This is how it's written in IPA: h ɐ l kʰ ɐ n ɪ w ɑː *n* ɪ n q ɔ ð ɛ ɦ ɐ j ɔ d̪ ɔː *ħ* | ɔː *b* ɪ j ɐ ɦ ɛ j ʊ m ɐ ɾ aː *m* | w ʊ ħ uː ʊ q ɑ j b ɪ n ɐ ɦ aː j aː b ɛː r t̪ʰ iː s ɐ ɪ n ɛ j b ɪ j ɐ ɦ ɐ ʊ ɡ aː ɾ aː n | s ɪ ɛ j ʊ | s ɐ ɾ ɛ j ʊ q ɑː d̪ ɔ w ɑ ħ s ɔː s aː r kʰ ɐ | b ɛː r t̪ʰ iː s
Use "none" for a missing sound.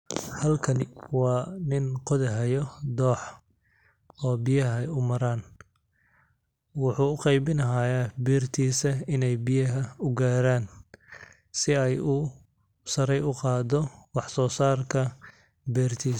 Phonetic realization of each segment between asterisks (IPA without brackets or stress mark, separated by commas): n, ħ, b, n